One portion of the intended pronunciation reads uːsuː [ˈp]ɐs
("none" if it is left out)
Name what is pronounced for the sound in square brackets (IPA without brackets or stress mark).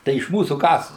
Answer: k